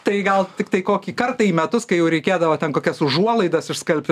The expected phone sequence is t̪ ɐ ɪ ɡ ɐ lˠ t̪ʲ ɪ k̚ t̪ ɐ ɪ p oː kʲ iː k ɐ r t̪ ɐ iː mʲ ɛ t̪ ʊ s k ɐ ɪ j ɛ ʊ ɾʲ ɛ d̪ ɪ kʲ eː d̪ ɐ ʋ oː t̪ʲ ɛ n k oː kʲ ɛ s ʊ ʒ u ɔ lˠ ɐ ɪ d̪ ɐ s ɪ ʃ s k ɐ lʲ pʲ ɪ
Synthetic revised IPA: t̪ ɐ ɪ ɡ ɐ lˠ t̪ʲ ɪ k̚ t̪ ɐ ɪ k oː kʲ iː k ɐ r t̪ ɐ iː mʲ ɛ t̪ ʊ s k ɐ ɪ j ɛ ʊ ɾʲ ɛ ɪ kʲ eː d̪ ɐ ʋ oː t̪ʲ ɛ n k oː kʲ ɛ s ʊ ʒ u ɔ lˠ ɐ ɪ d̪ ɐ s ɪ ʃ s k ɐ lʲ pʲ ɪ